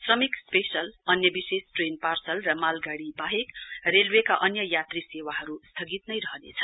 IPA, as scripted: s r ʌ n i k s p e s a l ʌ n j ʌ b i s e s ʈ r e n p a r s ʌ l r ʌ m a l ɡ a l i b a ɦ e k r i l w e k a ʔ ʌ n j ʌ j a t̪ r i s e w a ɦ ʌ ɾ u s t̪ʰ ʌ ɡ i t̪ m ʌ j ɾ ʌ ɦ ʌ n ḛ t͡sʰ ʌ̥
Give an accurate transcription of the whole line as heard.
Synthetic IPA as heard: s r ʌ m i k s p e s ʌ l ʌ n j ʌ b i s e s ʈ r e n p a r s ʌ l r ʌ m a l ɡ a ɽ i b a ɦ e k r e l w e k a ʔ ʌ n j ʌ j a t̪ r i s e w a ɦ ʌ ɾ u s t̪ʰ ʌ ɡ i t̪ n ʌ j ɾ ʌ ɦ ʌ n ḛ t͡sʰ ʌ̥

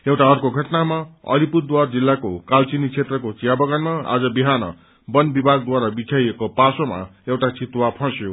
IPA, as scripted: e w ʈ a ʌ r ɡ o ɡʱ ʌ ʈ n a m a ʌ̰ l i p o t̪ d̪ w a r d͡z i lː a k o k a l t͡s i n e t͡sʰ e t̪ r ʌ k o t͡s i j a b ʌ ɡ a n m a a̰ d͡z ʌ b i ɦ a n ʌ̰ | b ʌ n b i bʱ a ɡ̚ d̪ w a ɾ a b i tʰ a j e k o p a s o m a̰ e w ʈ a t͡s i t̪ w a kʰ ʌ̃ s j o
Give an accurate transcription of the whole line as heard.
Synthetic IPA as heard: e w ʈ a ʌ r k o ɡʱ ʌ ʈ n a m a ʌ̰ l i p u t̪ d̪ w a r d͡z i lː a k o k a l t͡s i n i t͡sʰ e t̪ r ʌ k o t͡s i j a b ʌ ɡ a n m a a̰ d͡z ʌ b i ɦ a n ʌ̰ | b ʌ n b i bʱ a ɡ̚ d̪ w a ɾ a b i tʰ a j e k o p a s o m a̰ e w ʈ a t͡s i t̪ w a pʰ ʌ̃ s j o

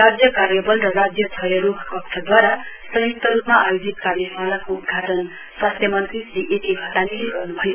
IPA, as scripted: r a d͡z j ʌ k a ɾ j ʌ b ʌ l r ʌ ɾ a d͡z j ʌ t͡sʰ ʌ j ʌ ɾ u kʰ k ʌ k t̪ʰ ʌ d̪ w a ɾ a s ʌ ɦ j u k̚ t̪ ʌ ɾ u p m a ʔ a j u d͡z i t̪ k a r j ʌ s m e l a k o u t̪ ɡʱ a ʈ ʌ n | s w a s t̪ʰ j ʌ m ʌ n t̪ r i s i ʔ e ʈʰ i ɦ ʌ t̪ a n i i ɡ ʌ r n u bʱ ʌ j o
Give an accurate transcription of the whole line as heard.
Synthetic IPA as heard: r a d͡z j ʌ k a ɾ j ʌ b ʌ l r ʌ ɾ a d͡z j ʌ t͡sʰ ʌ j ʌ ɾ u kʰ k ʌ k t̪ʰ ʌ d̪ w a ɾ a s ʌ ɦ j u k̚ t̪ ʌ ɾ u p m a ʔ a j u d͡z i t̪ k a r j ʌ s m a l a k o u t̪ ɡʱ a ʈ ʌ n | s w a s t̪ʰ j ʌ m ʌ n t̪ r i s i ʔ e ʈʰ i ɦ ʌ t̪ a n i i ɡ ʌ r n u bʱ ʌ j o

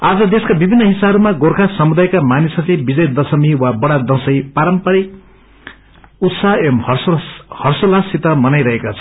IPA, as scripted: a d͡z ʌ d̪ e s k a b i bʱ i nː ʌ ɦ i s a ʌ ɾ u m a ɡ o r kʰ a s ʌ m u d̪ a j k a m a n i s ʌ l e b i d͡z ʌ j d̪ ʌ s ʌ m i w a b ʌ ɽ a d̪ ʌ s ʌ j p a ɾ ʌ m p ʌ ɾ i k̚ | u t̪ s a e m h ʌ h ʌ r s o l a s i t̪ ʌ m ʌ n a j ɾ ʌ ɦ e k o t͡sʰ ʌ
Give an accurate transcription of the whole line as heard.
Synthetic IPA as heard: a d͡z ʌ d̪ e s k a b i bʱ i nː ʌ ɦ i s a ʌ ɾ u m a ɡ o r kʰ a s ʌ m u d̪ a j k a m a n i s ʌ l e b i d͡z ʌ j d̪ ʌ s ʌ m i w a b ʌ ɽ a d̪ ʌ s ʌ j p a ɾ ʌ m p ʌ ɾ i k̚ | u t̪ s a e m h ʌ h ʌ r s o l a s i t̪ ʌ m ʌ n a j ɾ ʌ ɦ e k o t͡sʰ ʌ

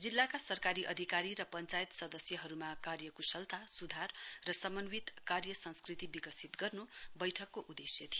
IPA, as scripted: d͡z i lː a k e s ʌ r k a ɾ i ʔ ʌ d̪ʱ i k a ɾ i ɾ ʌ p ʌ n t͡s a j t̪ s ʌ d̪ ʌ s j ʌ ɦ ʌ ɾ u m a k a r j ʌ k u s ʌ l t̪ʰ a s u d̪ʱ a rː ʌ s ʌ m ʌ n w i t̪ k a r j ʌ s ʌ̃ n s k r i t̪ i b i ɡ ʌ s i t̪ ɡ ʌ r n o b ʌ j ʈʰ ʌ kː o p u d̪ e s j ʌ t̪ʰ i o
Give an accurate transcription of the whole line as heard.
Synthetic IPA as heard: d͡z i lː a k a s ʌ r k a ɾ i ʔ ʌ d̪ʱ i k a ɾ i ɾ ʌ p ʌ n t͡s a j t̪ s ʌ d̪ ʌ s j ʌ ɦ ʌ ɾ u m a k a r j ʌ k u s ʌ l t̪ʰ a s u d̪ʱ a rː ʌ s ʌ m ʌ n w i t̪ k a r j ʌ s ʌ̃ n s k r i t̪ i b i ɡ ʌ s i t̪ ɡ ʌ r n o b ʌ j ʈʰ ʌ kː o ʔ u d̪ e s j ʌ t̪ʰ i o

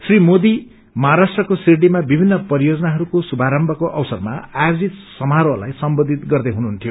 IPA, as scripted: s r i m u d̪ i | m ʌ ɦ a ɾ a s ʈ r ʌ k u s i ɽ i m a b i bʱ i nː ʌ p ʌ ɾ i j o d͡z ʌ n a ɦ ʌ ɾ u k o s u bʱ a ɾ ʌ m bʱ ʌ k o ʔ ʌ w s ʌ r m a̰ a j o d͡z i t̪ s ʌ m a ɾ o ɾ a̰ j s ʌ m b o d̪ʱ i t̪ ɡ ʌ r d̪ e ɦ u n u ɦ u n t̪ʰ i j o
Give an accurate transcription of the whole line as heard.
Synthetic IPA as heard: s r i m o d̪ i | m ʌ ɦ a ɾ a s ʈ r ʌ k o s i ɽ i m a b i bʱ i nː ʌ p ʌ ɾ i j o d͡z ʌ n a ɦ ʌ ɾ u k o s u bʱ a ɾ ʌ m bʱ ʌ k o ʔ ʌ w s ʌ r m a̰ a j o d͡z i t̪ s ʌ m a ɾ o l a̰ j s ʌ m b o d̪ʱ i t̪ ɡ ʌ r d̪ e ɦ u n u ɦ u n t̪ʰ i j o

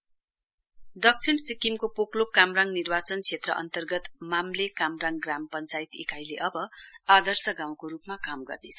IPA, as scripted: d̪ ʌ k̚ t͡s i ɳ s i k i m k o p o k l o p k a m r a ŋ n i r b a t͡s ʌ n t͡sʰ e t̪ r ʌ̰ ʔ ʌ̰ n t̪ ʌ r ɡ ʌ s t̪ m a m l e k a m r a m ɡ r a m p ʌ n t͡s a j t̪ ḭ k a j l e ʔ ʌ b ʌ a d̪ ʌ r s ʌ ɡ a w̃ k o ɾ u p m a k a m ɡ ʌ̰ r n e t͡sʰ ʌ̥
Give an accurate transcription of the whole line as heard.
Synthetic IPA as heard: d̪ ʌ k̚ t͡sʰ i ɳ s i k i m k o p o k l o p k a m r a ŋ n i r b a t͡s ʌ n t͡sʰ e t̪ r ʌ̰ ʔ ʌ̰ n t̪ ʌ r ɡ ʌ t̪ m a m l e k a m r a ŋ ɡ r a m p ʌ n t͡s a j t̪ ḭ k a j l e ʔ ʌ b ʌ a d̪ ʌ r s ʌ ɡ a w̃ k o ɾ u p m a k a m ɡ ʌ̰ r n e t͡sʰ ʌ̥

